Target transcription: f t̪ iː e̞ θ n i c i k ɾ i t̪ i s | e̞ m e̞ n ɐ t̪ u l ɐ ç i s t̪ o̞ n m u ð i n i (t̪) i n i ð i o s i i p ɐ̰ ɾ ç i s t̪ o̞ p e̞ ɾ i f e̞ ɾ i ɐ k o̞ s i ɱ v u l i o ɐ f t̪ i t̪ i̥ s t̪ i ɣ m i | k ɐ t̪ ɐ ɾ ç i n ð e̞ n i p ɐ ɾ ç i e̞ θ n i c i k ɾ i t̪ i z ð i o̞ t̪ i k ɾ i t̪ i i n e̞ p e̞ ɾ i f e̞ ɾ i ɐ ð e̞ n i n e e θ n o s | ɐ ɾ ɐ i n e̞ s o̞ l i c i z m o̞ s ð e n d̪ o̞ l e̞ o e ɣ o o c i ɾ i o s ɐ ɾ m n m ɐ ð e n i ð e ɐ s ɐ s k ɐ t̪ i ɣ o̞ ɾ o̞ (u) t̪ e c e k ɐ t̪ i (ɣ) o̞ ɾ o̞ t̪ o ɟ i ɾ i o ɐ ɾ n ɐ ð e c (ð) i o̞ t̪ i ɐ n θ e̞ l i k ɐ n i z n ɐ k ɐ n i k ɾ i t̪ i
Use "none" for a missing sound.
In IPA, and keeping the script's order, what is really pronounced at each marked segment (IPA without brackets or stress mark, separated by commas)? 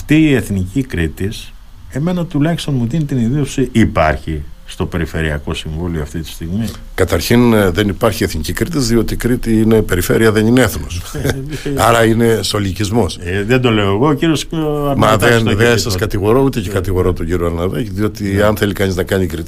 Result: t̪, u, ɣ, ð